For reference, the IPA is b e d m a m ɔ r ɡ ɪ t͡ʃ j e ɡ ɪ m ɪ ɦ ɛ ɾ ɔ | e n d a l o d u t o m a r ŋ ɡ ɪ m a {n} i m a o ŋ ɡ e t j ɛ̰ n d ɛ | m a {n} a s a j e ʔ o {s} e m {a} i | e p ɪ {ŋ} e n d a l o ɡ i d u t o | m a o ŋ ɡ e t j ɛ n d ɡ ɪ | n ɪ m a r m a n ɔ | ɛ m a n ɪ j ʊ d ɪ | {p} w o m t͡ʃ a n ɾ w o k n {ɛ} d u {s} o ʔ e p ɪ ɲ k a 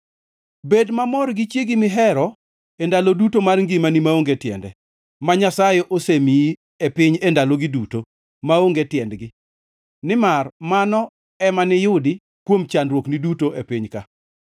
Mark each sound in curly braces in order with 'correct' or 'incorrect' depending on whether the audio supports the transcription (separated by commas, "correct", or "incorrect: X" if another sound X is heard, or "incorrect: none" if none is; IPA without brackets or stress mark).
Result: correct, incorrect: ɲ, correct, incorrect: i, incorrect: ɲ, incorrect: k, incorrect: i, incorrect: t